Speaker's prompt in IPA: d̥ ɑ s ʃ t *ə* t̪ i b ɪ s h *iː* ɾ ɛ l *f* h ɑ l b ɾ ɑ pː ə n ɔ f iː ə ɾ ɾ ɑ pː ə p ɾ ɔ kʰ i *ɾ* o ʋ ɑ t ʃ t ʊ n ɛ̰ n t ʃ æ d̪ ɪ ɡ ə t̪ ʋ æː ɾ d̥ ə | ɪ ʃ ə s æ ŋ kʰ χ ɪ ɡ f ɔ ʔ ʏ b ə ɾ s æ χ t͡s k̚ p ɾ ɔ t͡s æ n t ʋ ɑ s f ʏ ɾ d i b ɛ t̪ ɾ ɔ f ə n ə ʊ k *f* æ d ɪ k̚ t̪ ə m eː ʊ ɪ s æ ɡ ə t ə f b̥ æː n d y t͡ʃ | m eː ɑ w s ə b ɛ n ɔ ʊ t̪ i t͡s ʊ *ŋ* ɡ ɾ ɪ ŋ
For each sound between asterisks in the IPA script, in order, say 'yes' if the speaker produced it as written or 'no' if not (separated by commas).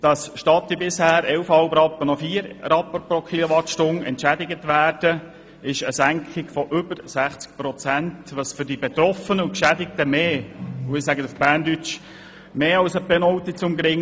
no, no, yes, no, no, no